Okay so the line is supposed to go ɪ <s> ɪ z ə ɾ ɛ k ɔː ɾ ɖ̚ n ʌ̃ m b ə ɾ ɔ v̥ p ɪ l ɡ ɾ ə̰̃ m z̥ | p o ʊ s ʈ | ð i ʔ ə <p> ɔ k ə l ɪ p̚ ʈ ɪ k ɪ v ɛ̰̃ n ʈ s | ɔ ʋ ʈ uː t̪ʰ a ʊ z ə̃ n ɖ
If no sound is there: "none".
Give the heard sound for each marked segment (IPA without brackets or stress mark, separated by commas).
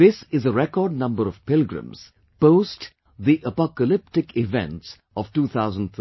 s, p